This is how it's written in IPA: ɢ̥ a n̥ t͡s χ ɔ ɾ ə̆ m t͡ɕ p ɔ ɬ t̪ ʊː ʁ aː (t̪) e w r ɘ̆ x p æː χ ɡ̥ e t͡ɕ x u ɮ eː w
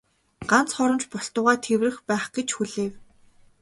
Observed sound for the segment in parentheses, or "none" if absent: t̪ʰ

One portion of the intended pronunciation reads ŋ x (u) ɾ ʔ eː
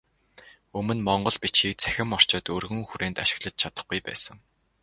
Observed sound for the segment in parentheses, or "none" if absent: u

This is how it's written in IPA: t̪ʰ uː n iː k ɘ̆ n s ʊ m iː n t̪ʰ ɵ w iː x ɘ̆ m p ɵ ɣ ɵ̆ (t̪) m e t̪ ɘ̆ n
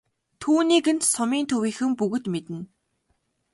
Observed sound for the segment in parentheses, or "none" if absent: t̪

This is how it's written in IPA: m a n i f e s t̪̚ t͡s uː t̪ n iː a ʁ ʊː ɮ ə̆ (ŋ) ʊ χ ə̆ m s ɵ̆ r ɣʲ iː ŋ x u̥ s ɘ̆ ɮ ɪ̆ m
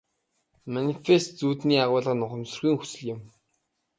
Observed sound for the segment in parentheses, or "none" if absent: n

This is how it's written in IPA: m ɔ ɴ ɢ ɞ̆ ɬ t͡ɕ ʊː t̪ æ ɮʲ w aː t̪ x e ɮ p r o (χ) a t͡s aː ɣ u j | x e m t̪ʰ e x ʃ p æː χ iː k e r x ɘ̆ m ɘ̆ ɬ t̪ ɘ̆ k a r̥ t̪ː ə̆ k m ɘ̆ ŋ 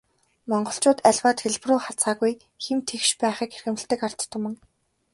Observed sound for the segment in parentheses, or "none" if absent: χ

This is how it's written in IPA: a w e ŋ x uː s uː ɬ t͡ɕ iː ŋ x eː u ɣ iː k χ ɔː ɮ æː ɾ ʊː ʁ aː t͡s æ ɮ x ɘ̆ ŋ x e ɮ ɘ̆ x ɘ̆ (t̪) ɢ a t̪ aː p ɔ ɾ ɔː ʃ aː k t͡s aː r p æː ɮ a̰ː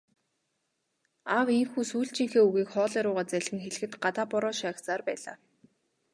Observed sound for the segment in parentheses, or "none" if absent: t̪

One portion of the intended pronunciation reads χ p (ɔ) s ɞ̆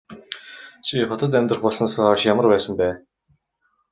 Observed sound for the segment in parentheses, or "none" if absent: ɔ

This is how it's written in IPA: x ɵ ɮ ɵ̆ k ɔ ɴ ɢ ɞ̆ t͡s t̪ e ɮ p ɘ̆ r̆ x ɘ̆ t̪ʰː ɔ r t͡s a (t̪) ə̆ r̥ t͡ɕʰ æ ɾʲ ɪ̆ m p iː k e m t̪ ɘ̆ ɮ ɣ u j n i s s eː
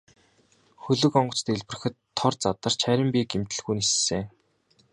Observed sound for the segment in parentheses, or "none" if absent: t̪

